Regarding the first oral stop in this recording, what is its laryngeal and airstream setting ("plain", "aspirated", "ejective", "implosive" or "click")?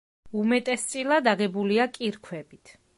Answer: ejective